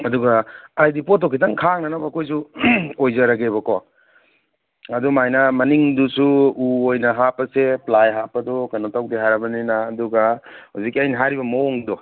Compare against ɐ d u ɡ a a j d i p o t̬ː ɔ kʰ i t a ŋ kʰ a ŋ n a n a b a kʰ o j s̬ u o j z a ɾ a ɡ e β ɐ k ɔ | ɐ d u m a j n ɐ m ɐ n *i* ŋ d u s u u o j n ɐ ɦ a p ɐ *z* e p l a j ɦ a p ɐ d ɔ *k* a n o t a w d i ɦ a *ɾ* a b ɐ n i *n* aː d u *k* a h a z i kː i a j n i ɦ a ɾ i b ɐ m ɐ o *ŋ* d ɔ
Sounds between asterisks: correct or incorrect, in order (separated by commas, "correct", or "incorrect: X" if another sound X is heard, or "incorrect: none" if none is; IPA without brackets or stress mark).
correct, incorrect: s, correct, correct, correct, incorrect: ɡ, correct